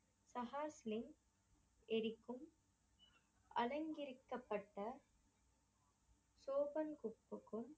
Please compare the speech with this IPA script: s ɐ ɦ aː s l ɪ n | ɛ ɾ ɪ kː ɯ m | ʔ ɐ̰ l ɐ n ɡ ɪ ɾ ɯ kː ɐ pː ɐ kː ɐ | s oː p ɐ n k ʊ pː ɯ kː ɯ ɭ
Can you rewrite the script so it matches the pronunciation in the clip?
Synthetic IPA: s ɐ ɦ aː s l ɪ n | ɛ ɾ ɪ kː ɯ m | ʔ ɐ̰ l ɐ ŋ ɡ ɪ ɾ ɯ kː ɐ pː ɐ ʈː ɐ | s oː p ɐ n k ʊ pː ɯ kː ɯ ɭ